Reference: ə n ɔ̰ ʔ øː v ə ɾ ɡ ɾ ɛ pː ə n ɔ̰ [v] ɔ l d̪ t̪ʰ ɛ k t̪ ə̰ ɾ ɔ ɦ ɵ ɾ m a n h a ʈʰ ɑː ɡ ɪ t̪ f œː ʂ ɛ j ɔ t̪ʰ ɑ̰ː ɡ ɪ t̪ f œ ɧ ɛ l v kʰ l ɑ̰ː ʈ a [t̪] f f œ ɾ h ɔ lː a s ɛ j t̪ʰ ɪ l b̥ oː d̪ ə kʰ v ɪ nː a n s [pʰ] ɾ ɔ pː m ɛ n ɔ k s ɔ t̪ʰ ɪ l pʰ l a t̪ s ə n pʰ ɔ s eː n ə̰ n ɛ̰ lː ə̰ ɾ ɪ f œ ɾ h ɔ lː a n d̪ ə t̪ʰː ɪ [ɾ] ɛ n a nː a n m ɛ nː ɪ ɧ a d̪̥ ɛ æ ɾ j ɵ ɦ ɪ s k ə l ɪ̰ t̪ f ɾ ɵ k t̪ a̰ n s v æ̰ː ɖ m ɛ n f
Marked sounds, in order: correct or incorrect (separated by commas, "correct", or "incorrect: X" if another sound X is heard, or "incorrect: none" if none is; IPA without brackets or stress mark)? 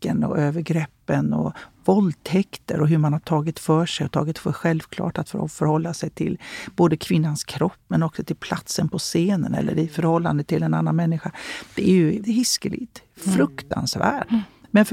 correct, correct, incorrect: kʰ, incorrect: l